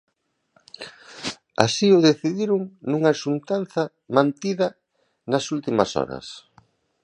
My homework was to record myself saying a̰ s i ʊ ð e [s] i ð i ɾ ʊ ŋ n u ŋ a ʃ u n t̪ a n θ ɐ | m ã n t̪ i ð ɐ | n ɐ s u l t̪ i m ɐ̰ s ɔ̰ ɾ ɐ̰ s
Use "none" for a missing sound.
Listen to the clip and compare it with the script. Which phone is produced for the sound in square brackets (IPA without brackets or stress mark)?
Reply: θ